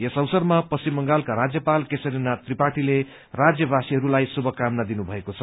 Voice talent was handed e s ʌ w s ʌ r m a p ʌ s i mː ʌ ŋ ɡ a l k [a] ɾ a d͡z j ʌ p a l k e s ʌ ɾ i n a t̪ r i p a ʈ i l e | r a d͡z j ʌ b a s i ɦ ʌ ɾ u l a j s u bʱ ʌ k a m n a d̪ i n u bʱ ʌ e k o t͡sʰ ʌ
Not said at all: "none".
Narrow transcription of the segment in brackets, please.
a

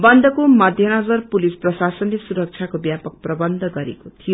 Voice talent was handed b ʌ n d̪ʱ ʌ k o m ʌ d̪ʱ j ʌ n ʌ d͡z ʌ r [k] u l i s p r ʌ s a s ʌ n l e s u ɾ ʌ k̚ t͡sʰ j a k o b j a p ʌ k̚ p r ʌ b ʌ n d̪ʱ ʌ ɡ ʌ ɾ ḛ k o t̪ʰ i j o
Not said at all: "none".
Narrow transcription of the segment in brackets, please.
p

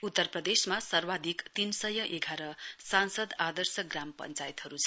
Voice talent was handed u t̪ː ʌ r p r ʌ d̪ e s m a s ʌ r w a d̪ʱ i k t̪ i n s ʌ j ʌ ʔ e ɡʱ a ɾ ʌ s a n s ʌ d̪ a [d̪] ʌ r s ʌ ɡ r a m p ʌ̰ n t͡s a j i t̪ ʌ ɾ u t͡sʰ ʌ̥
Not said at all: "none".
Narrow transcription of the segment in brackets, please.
d̪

